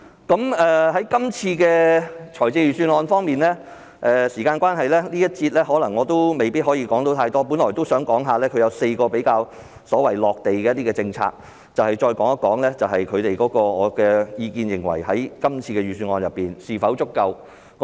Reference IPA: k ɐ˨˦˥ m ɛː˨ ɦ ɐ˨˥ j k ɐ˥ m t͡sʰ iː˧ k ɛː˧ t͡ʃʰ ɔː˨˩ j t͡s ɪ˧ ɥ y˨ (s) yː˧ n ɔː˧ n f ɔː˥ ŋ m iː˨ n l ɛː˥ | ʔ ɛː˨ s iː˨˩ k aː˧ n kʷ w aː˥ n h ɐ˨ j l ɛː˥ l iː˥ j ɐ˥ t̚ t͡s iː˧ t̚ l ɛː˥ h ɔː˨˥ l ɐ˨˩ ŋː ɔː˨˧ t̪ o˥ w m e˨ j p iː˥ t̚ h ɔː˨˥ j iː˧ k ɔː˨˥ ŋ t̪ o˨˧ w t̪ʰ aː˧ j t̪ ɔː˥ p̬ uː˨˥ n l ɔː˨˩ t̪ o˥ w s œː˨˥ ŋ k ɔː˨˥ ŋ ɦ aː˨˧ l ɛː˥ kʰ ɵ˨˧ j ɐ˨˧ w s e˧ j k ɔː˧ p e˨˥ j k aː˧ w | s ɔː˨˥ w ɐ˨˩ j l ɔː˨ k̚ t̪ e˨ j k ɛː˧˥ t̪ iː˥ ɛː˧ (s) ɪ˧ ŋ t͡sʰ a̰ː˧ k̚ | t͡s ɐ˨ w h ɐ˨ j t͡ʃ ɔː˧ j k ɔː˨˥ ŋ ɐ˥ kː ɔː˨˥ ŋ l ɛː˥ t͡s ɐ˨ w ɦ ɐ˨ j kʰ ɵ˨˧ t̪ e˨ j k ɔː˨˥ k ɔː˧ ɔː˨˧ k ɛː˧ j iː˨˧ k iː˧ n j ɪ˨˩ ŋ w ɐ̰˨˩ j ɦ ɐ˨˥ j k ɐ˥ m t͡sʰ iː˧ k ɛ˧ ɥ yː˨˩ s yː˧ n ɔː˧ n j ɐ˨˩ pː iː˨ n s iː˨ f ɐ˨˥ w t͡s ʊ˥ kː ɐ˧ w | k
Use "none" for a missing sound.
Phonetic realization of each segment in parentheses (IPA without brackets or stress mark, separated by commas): s, t͡s